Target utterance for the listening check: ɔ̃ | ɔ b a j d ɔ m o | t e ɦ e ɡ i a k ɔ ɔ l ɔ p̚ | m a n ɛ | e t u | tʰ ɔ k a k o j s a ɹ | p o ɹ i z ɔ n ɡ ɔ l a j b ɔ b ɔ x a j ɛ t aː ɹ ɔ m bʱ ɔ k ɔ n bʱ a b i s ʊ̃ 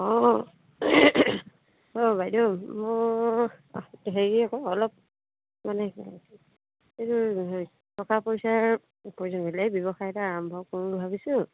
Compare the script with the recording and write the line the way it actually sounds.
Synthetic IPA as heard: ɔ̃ | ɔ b a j d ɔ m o | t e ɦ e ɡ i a k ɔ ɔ l ɔ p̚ | m a n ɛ | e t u | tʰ ɔ k a p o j s a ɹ | p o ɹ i z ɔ n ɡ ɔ l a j b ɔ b ɔ x a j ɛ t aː ɹ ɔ m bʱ ɔ k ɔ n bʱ a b i s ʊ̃